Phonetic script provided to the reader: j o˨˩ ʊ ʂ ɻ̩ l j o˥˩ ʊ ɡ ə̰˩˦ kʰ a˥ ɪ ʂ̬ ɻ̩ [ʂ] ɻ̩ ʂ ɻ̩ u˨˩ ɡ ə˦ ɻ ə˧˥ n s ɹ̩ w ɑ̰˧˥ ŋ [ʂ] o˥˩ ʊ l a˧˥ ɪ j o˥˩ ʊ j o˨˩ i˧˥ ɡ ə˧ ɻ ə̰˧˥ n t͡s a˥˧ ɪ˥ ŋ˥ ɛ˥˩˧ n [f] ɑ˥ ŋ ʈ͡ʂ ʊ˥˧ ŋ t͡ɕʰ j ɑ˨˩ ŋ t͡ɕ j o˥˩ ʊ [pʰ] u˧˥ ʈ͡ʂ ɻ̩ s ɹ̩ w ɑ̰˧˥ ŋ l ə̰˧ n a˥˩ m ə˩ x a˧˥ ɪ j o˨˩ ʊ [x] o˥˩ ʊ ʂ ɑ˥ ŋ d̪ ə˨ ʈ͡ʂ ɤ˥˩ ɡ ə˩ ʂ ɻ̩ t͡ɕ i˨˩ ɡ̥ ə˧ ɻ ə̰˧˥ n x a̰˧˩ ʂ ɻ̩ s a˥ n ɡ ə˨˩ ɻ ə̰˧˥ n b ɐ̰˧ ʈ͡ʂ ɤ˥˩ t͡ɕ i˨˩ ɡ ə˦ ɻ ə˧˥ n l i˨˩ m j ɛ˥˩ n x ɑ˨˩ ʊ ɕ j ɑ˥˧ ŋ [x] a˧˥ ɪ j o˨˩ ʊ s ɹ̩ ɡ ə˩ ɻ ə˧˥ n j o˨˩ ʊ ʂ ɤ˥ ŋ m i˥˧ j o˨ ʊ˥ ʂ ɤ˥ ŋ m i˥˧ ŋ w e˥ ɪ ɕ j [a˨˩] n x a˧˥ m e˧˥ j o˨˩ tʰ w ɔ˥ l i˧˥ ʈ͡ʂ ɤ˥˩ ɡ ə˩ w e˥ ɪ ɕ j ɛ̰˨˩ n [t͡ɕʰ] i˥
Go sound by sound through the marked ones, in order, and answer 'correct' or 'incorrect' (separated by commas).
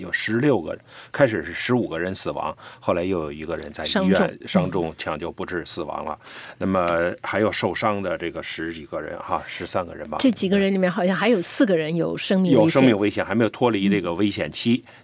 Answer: correct, incorrect, incorrect, incorrect, incorrect, correct, incorrect, correct